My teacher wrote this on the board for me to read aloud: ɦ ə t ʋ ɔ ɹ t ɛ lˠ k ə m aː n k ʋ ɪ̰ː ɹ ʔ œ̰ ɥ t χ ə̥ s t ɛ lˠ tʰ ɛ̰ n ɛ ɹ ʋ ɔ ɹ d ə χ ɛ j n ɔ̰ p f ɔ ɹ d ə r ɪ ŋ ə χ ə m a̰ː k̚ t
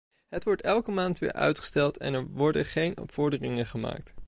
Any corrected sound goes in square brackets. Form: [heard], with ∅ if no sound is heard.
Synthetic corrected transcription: ɦ ə t ʋ ɔ ɹ t ɛ lˠ k ə m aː n [t] ʋ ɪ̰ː ɹ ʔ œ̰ ɥ t χ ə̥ s t ɛ lˠ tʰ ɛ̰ n ɛ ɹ ʋ ɔ ɹ d ə χ [e] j n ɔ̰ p f ɔ ɹ d ə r ɪ ŋ ə χ ə m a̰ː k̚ t